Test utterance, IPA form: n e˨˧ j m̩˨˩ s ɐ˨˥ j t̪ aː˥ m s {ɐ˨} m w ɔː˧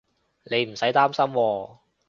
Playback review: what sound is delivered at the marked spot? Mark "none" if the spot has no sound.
ɐ˥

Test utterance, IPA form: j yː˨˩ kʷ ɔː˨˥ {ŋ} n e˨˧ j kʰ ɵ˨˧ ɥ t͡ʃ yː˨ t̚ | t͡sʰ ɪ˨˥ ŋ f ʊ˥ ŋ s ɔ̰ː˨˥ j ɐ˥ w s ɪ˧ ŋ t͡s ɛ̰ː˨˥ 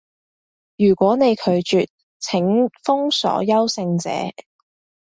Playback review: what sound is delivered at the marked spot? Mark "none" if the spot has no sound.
none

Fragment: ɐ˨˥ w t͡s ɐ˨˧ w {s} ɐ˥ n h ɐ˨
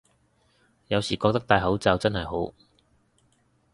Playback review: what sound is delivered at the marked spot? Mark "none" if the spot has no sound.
t͡s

